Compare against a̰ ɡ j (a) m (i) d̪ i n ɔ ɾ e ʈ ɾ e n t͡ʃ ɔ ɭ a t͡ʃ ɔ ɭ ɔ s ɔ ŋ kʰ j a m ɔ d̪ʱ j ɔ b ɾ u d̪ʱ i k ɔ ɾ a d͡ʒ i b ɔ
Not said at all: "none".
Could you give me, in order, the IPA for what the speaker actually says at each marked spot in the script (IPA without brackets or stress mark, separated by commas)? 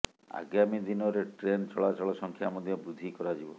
a, i